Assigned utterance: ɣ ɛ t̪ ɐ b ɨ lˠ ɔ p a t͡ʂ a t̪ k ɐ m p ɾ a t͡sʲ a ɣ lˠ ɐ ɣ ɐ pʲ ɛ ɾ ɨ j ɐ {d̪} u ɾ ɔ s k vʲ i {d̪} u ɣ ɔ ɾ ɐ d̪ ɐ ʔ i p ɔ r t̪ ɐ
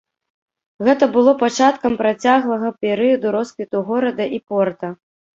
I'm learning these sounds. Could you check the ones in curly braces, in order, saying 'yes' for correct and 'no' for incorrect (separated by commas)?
yes, no